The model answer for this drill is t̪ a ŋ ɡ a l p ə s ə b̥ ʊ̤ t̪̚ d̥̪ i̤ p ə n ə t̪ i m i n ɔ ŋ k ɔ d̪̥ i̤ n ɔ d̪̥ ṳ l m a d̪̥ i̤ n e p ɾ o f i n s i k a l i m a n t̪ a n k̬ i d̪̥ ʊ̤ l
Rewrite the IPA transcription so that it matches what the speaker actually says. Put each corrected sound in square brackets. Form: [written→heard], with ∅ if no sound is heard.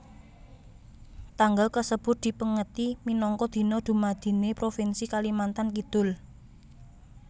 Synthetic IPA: t̪ a ŋ ɡ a l [p→k] ə s ə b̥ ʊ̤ t̪̚ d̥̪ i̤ p ə [n→ŋ] ə t̪ i m i n ɔ ŋ k ɔ d̪̥ i̤ n ɔ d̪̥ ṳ [l→∅] m a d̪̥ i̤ n e p ɾ o f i n s i k a l i m a n t̪ a n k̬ i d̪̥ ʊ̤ l